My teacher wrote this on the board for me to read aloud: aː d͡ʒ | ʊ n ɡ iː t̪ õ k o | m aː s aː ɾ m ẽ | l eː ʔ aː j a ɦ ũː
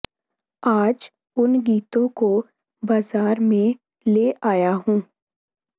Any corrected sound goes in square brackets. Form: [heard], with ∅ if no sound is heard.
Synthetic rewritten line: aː d͡ʒ | ʊ n ɡ iː t̪ õ k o | [b] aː [z] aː ɾ m ẽ | l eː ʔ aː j a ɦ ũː